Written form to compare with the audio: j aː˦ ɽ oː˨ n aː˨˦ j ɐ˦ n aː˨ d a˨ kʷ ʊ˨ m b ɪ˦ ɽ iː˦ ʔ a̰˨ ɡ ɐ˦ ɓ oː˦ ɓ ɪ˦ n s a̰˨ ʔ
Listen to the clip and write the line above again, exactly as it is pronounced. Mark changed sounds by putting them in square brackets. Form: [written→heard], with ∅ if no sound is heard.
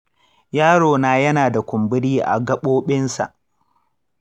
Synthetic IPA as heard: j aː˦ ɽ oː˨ n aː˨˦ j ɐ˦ n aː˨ d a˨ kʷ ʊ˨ m b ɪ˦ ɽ iː˦ ʔ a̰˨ ɡ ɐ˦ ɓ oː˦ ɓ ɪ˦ n s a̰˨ ʔ